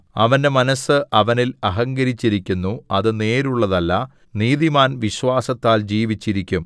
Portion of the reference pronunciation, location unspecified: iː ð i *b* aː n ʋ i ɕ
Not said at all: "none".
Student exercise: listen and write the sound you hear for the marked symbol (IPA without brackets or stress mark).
m